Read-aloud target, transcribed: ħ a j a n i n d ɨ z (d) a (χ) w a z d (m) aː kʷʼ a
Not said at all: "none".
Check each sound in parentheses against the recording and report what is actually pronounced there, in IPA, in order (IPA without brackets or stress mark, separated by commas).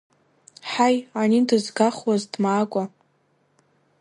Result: ɡ, χ, m